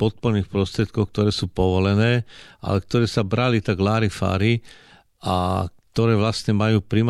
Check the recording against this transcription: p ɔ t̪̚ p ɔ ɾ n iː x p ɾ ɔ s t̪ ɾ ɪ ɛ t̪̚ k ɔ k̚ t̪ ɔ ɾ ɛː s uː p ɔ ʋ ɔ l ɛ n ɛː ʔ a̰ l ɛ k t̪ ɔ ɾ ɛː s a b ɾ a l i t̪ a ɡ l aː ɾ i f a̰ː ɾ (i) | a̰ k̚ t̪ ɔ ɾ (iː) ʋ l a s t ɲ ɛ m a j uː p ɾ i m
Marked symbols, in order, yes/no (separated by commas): yes, no